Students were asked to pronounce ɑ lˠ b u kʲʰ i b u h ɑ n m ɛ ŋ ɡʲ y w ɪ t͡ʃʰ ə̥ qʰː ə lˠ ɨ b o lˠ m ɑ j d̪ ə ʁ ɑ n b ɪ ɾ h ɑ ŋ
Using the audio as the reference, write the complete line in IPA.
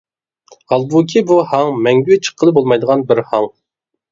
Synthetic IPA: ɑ lˠ b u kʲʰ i b u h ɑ ŋ m ɛ ŋ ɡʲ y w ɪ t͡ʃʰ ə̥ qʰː ə lˠ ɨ b o lˠ m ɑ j d̪ ə ʁ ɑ n b ɪ ɾ h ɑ ŋ

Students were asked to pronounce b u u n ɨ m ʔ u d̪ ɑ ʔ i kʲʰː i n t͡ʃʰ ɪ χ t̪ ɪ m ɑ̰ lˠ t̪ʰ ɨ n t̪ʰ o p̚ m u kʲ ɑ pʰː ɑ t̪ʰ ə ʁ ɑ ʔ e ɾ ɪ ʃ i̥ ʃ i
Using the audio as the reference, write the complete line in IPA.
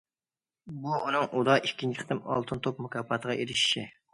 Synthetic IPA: b u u n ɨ ŋ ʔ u d̪ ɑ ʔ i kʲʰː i n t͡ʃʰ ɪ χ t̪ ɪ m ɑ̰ lˠ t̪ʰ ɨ n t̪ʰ o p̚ m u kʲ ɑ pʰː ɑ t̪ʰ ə ʁ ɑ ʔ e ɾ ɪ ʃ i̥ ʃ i

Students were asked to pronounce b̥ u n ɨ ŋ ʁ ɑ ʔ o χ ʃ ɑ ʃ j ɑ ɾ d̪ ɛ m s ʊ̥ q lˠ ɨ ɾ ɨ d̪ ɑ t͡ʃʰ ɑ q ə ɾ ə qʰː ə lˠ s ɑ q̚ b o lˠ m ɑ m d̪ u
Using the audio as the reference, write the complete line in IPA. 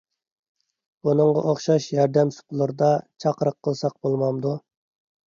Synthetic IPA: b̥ u n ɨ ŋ ʁ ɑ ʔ o χ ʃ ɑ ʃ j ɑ ɾ d̪ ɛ m s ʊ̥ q lˠ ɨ ɾ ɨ d̪ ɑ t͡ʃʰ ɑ q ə ɾ ə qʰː ə lˠ s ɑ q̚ b o lˠ m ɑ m d̪ u

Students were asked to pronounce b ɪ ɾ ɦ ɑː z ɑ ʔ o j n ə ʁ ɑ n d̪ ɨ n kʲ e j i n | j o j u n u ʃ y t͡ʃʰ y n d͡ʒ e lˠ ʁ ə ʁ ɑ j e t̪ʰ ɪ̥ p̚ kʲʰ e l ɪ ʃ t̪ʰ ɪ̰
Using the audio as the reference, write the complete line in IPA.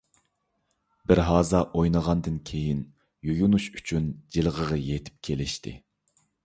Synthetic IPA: b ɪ ɾ ɦ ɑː z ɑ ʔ o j n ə ʁ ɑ n d̪ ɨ n kʲʰ e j i n | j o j u n u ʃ y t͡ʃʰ y n d͡ʒ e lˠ ʁ ə ʁ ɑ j e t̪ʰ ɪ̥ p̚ kʲʰ e l ɪ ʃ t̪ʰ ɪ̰

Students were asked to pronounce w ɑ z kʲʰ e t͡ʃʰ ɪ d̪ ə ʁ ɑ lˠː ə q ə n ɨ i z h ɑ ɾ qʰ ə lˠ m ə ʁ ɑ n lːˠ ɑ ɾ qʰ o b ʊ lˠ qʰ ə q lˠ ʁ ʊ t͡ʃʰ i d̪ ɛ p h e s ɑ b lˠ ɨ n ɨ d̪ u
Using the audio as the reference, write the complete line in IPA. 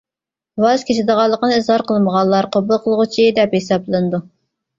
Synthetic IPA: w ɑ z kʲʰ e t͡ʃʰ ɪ d̪ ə ʁ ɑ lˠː ə q ə n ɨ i z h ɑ ɾ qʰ ə lˠ m ə ʁ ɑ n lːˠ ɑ ɾ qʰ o b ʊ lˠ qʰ ə lˠ ʁ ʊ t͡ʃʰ i d̪ ɛ p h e s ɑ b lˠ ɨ n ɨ d̪ u

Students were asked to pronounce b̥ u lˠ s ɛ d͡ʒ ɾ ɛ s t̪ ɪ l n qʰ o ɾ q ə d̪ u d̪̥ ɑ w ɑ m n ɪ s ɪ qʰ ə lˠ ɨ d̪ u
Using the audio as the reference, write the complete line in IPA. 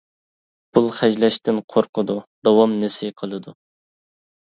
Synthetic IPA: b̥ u lˠ χ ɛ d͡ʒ l ɛ ʃ t̪ ɪ n qʰ o ɾ q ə d̪ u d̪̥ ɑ w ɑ m n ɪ s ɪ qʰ ə lˠ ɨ d̪ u

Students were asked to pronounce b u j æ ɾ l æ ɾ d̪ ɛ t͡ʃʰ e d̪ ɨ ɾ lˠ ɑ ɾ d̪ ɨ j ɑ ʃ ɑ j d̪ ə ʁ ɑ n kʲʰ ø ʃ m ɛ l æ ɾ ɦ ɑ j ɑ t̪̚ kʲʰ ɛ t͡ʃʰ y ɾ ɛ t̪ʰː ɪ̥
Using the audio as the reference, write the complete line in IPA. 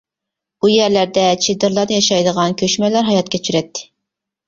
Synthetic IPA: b u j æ ɾ l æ ɾ d̪ ɛ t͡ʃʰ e d̪ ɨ ɾ lˠ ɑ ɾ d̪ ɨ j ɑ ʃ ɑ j d̪ ə ʁ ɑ n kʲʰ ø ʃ m ɛ l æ ɾ ɦ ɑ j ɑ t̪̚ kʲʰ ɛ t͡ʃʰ y ɾ ɛ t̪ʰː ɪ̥

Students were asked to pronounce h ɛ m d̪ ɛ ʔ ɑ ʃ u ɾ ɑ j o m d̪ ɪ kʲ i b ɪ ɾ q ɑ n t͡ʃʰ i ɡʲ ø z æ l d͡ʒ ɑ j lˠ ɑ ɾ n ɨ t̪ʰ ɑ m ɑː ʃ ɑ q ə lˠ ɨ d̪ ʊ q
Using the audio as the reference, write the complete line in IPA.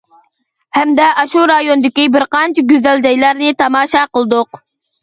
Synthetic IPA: h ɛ m d̪ ɛ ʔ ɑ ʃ u ɾ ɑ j o n d̪ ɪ kʲ i b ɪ ɾ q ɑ n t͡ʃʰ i ɡʲ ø z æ l d͡ʒ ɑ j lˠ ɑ ɾ n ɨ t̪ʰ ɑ m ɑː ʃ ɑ q ə lˠ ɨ d̪ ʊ q

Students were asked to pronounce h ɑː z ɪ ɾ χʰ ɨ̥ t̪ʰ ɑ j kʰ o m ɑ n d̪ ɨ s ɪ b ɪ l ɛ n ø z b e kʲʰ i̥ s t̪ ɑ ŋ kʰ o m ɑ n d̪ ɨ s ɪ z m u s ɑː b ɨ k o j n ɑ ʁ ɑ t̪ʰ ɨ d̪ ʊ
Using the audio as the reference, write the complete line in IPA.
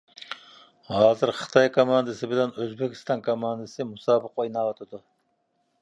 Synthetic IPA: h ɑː z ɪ ɾ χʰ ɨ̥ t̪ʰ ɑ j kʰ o m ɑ n d̪ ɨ s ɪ b ɪ l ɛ n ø z b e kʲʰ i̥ s t̪ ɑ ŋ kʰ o m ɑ n d̪ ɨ s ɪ m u s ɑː b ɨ q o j n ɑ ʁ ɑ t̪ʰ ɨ d̪ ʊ

